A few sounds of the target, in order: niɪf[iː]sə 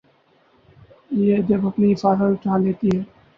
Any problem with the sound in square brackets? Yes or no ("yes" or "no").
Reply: yes